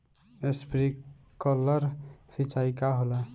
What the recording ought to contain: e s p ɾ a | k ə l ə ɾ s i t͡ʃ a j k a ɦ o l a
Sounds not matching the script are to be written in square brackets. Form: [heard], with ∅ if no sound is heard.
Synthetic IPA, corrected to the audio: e s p ɾ [i] | k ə l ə ɾ s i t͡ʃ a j k a ɦ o l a